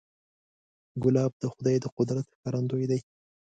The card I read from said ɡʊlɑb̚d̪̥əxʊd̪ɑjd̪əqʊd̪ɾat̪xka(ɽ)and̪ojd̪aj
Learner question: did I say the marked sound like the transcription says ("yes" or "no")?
no